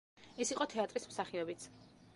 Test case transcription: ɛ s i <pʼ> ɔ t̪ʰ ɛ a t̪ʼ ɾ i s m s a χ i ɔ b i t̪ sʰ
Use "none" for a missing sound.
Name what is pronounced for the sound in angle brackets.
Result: qʼ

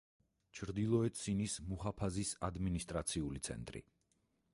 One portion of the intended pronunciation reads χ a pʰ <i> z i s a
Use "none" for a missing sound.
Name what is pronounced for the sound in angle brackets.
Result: a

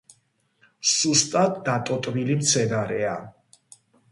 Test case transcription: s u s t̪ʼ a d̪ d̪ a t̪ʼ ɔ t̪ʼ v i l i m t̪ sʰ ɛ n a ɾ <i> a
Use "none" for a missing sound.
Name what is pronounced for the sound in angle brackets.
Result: ɛ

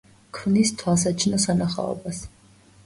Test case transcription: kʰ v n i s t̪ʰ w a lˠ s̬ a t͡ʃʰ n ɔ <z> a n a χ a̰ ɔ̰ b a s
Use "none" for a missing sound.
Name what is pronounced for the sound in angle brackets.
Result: s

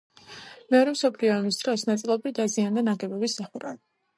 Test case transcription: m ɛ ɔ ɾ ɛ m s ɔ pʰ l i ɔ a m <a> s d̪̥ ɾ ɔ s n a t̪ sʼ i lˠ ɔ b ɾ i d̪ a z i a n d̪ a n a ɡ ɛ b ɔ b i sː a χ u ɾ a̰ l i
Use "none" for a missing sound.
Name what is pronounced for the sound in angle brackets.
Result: i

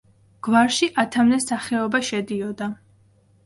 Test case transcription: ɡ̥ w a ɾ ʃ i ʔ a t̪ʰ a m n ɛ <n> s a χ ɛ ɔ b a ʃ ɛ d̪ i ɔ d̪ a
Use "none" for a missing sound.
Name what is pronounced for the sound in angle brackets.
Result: none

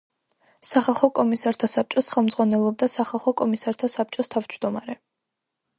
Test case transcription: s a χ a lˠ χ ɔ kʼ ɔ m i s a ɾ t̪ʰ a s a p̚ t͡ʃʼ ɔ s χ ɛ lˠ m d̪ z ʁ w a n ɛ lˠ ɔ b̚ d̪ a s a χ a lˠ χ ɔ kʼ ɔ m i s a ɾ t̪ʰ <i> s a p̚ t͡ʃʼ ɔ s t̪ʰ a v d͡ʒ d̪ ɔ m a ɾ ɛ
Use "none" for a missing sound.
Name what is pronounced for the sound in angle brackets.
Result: a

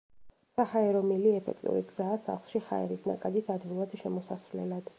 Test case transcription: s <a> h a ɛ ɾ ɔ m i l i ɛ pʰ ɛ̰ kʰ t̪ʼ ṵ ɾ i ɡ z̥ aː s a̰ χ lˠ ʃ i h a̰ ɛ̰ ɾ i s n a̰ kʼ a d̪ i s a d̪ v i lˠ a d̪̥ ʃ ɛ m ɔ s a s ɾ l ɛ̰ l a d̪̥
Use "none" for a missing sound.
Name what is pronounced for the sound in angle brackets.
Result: a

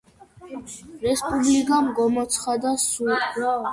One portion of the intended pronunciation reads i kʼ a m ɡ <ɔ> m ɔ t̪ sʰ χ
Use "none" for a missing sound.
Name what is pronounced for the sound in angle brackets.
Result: ɔ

